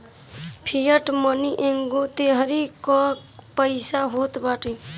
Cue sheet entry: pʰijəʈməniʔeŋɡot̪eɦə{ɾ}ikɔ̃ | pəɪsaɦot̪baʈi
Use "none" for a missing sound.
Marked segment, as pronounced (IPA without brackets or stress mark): ɾ